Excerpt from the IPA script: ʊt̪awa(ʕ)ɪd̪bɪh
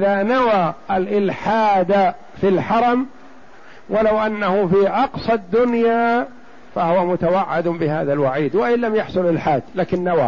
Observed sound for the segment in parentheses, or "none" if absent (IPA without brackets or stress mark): ʕː